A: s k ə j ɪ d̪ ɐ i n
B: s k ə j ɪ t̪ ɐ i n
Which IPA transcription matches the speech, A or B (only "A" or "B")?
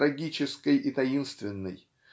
B